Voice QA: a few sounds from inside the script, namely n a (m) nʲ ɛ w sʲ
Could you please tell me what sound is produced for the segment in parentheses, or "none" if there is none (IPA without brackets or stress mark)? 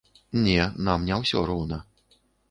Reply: m